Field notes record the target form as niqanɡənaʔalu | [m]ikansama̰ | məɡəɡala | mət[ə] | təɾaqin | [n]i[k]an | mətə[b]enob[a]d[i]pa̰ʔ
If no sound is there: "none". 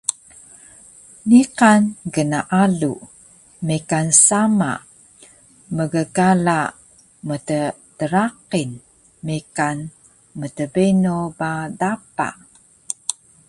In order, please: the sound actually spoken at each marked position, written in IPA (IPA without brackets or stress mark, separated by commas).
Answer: m, ə, m, k, b, a, a